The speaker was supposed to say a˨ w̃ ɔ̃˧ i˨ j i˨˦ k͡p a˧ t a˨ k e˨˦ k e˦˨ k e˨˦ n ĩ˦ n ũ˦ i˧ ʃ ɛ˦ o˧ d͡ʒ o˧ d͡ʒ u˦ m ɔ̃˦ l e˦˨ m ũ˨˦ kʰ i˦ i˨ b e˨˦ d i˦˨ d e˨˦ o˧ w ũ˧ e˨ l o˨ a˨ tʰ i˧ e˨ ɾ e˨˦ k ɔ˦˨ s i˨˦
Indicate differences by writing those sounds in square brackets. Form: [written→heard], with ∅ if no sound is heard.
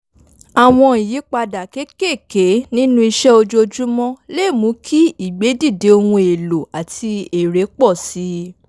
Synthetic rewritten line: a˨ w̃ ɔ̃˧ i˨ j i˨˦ k͡p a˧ [t→d] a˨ k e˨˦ k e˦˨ k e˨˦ n ĩ˦ n ũ˦ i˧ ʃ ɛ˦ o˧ d͡ʒ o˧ d͡ʒ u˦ m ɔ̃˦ l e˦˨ m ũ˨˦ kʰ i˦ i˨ [b→ɡ͡b] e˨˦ d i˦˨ d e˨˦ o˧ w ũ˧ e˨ l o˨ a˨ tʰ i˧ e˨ ɾ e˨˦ [k→k͡p] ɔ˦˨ s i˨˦